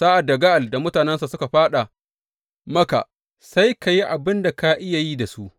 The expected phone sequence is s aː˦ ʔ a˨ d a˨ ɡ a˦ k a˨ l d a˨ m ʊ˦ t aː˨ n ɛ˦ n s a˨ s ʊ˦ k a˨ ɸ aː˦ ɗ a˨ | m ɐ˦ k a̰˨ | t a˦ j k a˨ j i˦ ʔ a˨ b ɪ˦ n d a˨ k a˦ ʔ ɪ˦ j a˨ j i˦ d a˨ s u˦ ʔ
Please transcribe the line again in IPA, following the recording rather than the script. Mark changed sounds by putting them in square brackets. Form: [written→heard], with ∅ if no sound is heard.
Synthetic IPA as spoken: s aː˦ ʔ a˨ d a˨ ɡ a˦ [k→ʔ] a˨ l d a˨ m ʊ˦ t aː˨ n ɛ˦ n s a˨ s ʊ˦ k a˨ ɸ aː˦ ɗ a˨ | m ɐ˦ k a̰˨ | [t→s] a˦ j k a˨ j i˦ ʔ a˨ b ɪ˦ n d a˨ k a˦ ʔ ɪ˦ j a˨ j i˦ d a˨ s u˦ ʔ